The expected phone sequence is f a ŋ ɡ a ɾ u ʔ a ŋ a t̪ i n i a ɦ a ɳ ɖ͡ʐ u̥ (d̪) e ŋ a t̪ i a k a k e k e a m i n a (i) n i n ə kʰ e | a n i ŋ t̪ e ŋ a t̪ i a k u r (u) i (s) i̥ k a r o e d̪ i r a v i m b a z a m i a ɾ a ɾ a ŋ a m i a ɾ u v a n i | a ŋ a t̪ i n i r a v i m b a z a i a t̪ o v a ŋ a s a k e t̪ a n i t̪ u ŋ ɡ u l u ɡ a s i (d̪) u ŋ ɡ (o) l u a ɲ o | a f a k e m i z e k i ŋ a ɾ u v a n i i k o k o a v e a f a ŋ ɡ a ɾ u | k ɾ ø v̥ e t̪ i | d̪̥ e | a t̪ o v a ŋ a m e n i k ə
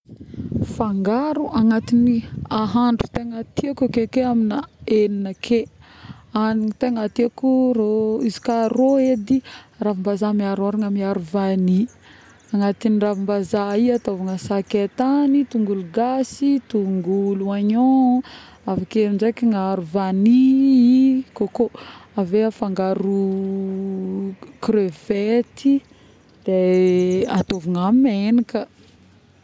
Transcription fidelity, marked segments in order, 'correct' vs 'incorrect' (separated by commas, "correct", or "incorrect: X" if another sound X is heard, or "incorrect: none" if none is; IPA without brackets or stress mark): incorrect: t̪, incorrect: e, incorrect: o, incorrect: z, incorrect: t̪, incorrect: u